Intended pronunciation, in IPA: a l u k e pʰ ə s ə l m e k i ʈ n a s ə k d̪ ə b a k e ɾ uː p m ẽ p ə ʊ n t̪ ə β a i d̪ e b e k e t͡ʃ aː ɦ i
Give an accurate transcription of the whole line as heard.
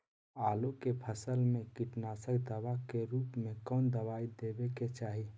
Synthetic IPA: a l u k e pʰ ə s ə l m e k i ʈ n a s ə k d̪ ə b a k e ɾ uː p m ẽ k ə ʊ n d̪ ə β a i d̪ e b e k e t͡ʃ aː ɦ i